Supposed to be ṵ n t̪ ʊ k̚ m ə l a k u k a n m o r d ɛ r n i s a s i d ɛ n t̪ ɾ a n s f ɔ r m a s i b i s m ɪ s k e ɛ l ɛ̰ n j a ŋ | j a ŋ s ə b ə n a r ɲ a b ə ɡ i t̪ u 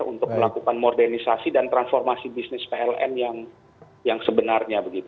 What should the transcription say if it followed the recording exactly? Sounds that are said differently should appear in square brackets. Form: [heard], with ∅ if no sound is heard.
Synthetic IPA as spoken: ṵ n t̪ ʊ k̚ m ə l a k u k a n m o r d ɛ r n i s a s i d [a] n t̪ ɾ a n s f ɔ r m a s i b i s [n] ɪ s [p] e ɛ l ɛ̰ n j a ŋ | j a ŋ s ə b ə n a r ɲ a b ə ɡ i t̪ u